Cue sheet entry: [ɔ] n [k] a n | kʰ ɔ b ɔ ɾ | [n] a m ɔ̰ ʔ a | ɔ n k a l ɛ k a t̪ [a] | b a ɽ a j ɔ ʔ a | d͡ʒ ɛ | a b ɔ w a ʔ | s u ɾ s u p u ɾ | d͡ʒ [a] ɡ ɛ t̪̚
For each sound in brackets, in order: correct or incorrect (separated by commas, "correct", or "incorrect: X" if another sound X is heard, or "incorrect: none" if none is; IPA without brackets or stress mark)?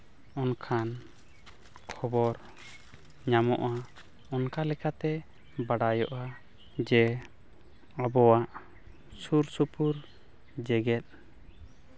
correct, incorrect: kʰ, incorrect: ɲ, incorrect: ɛ, incorrect: ɛ